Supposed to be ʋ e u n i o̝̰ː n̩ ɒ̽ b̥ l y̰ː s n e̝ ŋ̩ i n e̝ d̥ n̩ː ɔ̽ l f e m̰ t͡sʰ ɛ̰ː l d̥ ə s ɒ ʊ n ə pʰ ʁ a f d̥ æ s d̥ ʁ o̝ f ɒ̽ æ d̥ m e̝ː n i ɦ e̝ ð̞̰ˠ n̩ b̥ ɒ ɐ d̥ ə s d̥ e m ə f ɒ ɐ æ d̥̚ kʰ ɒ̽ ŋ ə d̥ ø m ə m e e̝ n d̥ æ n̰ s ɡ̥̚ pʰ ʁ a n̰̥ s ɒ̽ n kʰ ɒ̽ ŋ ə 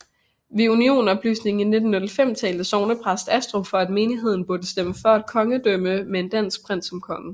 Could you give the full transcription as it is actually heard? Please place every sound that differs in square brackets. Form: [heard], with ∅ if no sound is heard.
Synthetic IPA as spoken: ʋ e u n i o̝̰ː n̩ ɒ̽ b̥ l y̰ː s n e̝ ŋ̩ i n e̝ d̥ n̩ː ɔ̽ l f e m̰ t͡sʰ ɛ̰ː l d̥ ə s ɒ ʊ n ə pʰ ʁ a [s] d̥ æ s d̥ ʁ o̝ f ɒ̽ æ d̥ m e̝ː n i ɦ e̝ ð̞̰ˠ n̩ b̥ [u] ɐ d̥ ə s d̥ e m ə f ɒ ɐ æ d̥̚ kʰ ɒ̽ ŋ ə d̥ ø m ə m e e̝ n d̥ æ n̰ s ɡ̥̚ pʰ ʁ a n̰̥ s ɒ̽ [m] kʰ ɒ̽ ŋ ə